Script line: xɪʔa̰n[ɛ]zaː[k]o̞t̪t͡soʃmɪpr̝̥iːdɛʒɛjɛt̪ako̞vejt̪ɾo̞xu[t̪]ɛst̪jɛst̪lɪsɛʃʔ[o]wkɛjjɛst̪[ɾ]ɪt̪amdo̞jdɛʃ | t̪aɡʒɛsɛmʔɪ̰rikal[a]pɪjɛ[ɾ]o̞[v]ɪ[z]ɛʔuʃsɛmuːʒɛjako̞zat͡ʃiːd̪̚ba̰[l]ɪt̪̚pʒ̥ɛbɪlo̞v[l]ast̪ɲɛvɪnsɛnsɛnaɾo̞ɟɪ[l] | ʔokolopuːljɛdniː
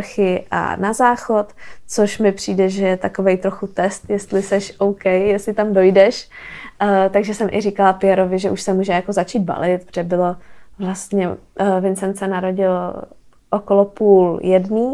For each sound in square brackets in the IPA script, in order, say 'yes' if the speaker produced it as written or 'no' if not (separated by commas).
no, no, yes, yes, no, yes, yes, yes, no, yes, yes, yes